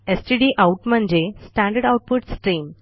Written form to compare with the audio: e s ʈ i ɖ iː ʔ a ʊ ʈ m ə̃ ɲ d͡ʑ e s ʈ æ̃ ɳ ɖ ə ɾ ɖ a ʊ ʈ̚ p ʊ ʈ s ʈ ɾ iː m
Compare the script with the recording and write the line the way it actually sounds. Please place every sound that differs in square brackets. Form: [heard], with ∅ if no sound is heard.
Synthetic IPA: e s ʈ i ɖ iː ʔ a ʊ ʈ m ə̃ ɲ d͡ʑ e s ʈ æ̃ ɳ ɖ ə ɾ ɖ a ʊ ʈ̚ p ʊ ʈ s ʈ ɾ iː m